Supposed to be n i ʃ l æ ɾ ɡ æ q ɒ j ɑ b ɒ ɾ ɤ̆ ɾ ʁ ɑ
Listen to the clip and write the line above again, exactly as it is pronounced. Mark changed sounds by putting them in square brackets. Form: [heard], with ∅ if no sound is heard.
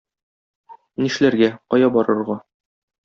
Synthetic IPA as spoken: n i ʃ l æ ɾ ɡ æ q ɒ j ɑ b ɒ ɾ ɤ̆ ɾ ʁ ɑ

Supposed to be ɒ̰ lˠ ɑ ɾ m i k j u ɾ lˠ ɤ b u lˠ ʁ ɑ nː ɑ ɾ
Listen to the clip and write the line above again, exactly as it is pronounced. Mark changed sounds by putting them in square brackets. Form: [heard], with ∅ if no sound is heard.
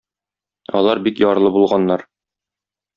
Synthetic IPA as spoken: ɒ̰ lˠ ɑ ɾ [b] i k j [ɒ] ɾ lˠ ɤ b u lˠ ʁ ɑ nː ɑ ɾ

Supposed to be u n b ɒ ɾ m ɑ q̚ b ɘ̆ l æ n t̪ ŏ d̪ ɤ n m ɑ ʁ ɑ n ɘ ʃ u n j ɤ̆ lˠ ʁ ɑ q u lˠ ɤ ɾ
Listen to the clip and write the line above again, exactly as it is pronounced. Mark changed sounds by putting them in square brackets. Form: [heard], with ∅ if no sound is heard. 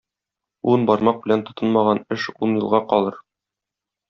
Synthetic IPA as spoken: u n b ɒ ɾ m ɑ q̚ b ɘ̆ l æ n t̪ ŏ [t̪] ɤ n m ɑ ʁ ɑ n ɘ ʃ u n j ɤ̆ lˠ ʁ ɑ q [ɒ] lˠ ɤ ɾ

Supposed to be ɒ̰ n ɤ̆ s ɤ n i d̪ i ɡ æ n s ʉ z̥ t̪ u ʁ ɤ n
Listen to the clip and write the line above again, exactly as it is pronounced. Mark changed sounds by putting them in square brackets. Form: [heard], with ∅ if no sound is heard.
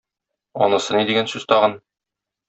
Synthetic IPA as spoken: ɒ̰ n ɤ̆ s ɤ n i d̪ i ɡ æ n s ʉ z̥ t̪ [ɒ] ʁ ɤ n

